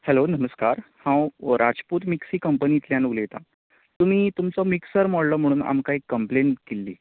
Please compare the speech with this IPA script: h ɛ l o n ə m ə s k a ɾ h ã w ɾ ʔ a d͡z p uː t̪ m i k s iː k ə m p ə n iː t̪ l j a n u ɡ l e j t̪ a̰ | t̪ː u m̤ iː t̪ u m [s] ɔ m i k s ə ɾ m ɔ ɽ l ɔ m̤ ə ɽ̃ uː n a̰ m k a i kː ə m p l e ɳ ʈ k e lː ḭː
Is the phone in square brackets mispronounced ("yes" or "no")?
yes